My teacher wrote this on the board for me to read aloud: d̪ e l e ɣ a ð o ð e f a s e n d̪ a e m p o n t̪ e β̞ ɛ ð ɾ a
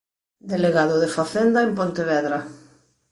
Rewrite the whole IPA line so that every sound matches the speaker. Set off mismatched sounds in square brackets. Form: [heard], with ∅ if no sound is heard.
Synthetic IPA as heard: d̪ e l e ɣ a ð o ð e f a [θ] e n d̪ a e m p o n t̪ e β̞ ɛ ð ɾ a